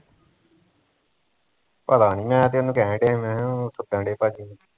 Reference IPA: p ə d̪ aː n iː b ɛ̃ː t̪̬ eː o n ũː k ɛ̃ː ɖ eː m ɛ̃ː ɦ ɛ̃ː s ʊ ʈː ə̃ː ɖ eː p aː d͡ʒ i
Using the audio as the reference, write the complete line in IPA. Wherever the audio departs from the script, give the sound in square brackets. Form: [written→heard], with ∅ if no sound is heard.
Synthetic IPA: p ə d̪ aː n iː [b→m] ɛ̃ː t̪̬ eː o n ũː k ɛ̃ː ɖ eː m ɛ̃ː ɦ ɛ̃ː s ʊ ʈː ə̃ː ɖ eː p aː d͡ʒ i